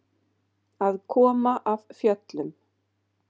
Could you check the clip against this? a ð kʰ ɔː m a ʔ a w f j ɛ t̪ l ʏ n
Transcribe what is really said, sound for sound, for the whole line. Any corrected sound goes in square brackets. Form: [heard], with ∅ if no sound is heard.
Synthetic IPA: a ð kʰ ɔː m a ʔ a [v] f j [œ] t̪ l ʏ [m]